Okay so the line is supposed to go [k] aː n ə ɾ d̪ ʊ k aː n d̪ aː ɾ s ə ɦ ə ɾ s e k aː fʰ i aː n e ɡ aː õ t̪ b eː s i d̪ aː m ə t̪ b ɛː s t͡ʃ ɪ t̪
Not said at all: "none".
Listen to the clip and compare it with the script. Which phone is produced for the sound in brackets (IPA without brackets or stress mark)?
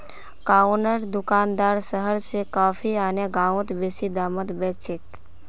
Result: k